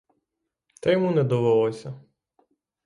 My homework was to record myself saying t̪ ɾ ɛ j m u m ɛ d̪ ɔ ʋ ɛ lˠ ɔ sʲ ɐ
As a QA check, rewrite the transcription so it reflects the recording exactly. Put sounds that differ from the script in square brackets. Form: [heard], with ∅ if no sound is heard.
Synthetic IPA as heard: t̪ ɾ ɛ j m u [n] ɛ d̪ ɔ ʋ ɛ lˠ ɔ sʲ ɐ

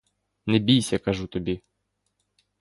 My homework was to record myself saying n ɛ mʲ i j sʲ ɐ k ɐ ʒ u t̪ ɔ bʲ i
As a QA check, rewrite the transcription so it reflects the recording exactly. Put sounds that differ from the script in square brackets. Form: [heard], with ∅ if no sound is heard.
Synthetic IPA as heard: n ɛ [bʲ] i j sʲ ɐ k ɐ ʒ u t̪ ɔ bʲ i

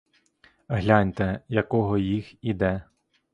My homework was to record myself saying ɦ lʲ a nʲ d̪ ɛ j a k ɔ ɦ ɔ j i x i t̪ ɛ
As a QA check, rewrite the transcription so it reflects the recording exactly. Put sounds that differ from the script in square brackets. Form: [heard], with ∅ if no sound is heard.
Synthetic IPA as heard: ɦ lʲ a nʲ [t̪] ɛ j [ɐ] k ɔ ɦ ɔ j i x i [d̪] ɛ

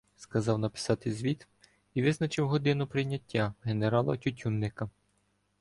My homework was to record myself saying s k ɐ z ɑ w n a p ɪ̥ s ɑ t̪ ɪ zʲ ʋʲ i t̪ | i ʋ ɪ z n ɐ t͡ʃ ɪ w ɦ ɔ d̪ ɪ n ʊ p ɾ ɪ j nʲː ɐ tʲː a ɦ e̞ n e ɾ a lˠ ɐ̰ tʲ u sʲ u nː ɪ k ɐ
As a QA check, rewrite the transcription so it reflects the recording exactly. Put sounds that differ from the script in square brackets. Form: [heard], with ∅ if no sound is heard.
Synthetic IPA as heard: s k ɐ z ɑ w n [ɐ] p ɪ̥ s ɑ t̪ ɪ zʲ ʋʲ i t̪ | i ʋ ɪ z n ɐ t͡ʃ ɪ w ɦ ɔ d̪ ɪ n ʊ p ɾ ɪ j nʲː ɐ tʲː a ɦ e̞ n e ɾ [ɑ] lˠ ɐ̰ tʲ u [tʲ] u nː ɪ k ɐ

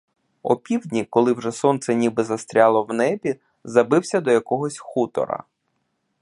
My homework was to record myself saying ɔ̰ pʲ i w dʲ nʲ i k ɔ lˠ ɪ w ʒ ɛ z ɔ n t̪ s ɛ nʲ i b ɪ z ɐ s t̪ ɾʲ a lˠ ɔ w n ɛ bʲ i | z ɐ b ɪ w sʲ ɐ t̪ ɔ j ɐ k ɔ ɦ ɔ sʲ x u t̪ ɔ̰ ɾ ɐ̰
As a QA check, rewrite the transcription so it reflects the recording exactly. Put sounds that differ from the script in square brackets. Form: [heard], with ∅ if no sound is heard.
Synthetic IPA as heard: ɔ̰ pʲ i w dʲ nʲ i k ɔ lˠ ɪ w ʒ ɛ [s] ɔ n t̪ s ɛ nʲ i b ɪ z ɐ s t̪ ɾʲ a lˠ ɔ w n ɛ bʲ i | z ɐ b ɪ w sʲ ɐ [d̪] ɔ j ɐ k ɔ ɦ ɔ sʲ x u t̪ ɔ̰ ɾ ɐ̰

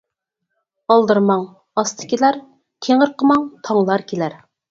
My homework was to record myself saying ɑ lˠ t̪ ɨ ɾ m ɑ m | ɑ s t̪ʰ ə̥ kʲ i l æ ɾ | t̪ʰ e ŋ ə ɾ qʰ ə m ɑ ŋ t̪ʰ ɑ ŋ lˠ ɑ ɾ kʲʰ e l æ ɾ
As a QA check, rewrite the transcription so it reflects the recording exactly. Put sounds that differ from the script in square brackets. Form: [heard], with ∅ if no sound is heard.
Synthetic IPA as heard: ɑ lˠ [d̪] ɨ ɾ m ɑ [ŋ] | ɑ s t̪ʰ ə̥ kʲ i l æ ɾ | t̪ʰ e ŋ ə ɾ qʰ ə m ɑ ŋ t̪ʰ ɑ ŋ lˠ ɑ ɾ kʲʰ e l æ ɾ

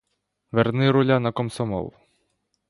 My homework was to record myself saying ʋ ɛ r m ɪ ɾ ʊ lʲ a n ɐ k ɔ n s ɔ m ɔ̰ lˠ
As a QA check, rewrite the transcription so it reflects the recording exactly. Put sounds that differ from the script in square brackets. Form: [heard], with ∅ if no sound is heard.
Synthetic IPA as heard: ʋ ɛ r [n] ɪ ɾ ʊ lʲ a n ɐ k ɔ [m] s ɔ m ɔ̰ lˠ

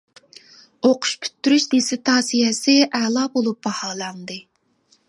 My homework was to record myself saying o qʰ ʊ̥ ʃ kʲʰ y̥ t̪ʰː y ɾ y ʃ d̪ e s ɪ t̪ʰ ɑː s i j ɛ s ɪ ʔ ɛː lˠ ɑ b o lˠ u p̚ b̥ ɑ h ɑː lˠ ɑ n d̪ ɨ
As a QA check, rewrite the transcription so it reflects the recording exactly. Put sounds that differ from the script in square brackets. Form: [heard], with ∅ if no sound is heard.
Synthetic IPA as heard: o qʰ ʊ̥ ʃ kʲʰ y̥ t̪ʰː y ɾ y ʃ d̪ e s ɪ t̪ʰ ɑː s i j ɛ s ɪ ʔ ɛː lˠ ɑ b o lˠ u p̚ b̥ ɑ h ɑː lˠ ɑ n d̪ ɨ

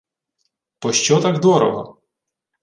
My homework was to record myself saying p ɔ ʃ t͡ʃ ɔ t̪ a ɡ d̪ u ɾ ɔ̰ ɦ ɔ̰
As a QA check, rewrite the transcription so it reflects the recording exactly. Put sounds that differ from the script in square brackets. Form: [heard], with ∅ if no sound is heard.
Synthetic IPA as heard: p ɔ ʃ t͡ʃ ɔ t̪ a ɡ d̪ [ɔ] ɾ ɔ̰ ɦ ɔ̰

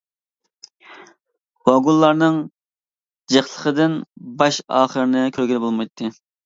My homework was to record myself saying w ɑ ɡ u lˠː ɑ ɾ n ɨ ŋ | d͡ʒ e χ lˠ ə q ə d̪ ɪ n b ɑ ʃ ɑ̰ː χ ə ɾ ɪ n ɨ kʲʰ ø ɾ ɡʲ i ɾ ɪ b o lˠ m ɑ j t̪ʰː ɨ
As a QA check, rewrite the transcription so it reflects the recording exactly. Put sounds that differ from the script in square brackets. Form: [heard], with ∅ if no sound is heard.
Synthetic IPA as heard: w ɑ ɡ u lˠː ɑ ɾ n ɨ ŋ | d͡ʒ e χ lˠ ə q ə d̪ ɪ n b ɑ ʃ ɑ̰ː χ ə ɾ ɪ n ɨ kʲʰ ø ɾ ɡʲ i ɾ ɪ b o lˠ m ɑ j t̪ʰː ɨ

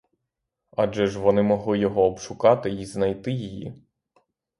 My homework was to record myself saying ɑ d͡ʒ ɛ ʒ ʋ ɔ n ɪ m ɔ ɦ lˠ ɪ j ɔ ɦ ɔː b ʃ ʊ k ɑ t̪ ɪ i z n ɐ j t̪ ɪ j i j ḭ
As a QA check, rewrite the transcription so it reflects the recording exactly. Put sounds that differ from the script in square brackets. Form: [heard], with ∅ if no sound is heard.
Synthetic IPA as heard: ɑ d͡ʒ ɛ ʒ ʋ ɔ n ɪ m ɔ ɦ lˠ ɪ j ɔ ɦ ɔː b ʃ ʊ k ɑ t̪ ɪ i z n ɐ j t̪ ɪ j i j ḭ

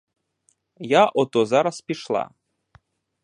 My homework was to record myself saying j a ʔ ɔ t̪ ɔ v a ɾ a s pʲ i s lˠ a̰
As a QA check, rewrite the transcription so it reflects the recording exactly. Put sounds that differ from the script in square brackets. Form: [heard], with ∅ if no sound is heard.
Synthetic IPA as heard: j a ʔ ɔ t̪ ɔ [z] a ɾ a s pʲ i [ʃ] lˠ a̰

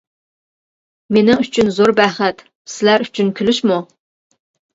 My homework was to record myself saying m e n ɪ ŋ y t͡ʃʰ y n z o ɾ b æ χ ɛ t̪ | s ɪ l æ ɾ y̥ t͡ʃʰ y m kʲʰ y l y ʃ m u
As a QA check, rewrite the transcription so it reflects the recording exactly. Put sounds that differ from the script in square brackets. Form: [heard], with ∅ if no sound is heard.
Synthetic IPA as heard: m e n ɪ ŋ y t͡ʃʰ y n z o ɾ b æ χ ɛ t̪ | s ɪ l æ ɾ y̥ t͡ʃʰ y [n] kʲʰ y l y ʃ m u

